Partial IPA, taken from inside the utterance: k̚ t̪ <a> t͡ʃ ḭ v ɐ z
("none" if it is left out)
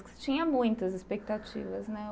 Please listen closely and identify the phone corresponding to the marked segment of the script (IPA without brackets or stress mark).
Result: a